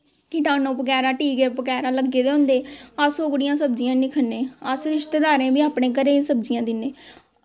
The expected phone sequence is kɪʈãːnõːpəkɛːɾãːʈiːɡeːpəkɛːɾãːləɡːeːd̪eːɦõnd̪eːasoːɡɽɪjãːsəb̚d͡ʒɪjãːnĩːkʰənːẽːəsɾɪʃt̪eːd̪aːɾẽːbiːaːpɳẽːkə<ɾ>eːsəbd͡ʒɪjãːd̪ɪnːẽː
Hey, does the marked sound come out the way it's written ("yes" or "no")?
yes